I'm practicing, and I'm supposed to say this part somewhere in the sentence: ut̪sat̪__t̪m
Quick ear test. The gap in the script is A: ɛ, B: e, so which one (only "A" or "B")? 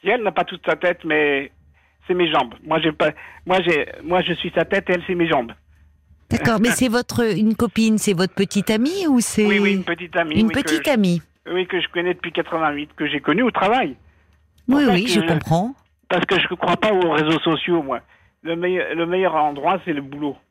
A